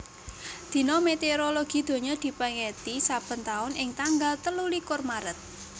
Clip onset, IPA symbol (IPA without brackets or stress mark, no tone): d̪̥